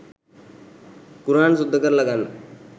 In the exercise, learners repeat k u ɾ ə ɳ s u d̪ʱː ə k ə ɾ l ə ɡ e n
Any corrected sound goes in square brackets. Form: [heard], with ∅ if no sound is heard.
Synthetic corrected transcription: k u ɾ [a] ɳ s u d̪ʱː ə k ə ɾ l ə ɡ [a] n

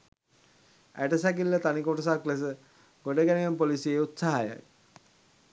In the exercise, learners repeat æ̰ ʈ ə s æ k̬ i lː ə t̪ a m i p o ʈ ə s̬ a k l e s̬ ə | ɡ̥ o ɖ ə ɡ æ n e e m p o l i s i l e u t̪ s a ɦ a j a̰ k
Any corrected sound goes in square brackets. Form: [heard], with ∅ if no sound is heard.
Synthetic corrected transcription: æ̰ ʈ ə s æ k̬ i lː ə t̪ a [n] i [k] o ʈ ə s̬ a k l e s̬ ə | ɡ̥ o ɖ ə ɡ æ n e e m p o l i s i [∅] e u t̪ s a ɦ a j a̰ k

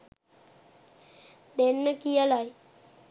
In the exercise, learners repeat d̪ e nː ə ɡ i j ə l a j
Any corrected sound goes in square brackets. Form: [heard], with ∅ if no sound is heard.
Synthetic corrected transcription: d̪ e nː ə [k] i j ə l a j

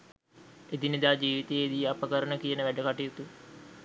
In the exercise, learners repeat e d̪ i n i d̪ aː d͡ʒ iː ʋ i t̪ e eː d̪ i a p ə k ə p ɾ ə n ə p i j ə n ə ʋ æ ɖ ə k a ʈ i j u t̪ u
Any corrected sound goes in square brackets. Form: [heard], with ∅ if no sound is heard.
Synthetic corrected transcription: e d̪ i n i d̪ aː d͡ʒ iː ʋ i t̪ e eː d̪ i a p ə k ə [∅] ɾ ə n ə [k] i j ə n ə ʋ æ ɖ ə k a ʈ i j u t̪ u

